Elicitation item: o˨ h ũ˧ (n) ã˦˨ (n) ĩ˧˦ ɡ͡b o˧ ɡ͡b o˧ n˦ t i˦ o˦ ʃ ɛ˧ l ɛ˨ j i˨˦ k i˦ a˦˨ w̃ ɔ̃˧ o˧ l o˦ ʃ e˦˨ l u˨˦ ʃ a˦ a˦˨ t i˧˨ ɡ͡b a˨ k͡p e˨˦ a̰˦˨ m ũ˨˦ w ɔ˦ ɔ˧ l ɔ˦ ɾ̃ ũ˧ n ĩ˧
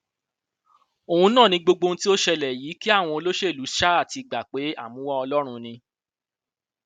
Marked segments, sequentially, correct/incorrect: correct, correct

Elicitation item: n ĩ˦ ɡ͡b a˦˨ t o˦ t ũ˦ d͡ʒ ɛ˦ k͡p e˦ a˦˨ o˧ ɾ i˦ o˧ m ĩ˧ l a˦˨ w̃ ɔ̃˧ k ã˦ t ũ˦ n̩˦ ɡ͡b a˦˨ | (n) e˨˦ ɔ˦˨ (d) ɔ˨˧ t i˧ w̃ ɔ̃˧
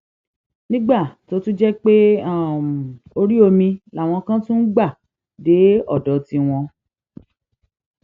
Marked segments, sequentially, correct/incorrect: incorrect, correct

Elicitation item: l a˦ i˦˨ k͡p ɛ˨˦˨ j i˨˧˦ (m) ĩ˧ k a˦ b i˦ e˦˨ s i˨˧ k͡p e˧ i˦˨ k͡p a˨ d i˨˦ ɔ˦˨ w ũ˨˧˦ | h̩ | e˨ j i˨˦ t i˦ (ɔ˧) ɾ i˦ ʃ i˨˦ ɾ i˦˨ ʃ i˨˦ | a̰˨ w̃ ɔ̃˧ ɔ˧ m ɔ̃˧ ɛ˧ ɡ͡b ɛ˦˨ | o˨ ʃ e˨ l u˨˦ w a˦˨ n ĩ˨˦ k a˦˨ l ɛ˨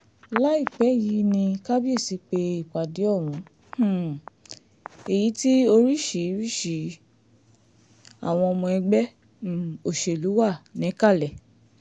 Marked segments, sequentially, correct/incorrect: incorrect, incorrect

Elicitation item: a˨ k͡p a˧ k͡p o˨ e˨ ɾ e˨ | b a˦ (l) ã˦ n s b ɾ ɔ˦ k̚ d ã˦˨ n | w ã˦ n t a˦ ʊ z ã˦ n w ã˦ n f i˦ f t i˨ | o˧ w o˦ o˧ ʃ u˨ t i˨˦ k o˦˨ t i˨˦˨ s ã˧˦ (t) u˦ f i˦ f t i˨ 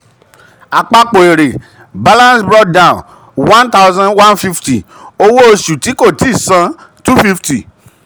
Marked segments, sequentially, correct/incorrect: correct, correct

